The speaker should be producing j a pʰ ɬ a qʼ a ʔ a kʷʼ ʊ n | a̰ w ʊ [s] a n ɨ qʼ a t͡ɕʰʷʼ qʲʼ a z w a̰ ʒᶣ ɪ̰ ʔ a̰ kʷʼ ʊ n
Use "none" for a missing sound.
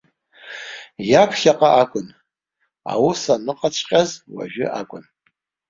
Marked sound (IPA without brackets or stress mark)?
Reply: s